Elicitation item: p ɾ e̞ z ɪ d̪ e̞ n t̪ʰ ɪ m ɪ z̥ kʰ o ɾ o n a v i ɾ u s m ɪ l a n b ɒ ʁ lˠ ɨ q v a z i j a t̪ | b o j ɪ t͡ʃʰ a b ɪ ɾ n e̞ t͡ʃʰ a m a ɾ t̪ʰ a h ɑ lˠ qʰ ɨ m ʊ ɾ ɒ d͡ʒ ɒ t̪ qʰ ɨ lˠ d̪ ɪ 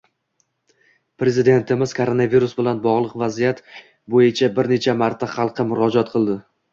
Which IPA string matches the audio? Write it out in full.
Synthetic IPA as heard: p ɾ e̞ z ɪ d̪ e̞ n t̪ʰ ɪ m ɪ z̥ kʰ o ɾ o n a v i ɾ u s b ɪ l a n b ɒ ʁ lˠ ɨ q v a z i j a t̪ | b o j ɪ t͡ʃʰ a b ɪ ɾ n e̞ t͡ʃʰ a m a ɾ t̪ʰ a χ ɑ lˠ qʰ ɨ m ʊ ɾ ɒ d͡ʒ ɒ t̪ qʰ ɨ lˠ d̪ ɪ